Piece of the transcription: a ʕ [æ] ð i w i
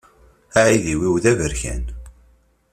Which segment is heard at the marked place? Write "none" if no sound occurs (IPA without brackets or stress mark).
i